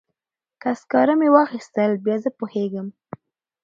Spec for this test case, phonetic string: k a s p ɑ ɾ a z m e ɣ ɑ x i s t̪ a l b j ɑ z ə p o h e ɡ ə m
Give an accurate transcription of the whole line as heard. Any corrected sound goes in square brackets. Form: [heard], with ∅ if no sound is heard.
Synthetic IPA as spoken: k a s [k] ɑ ɾ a [∅] m e [w] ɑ x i s t̪ [ə] l b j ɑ z ə p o h e ɡ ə m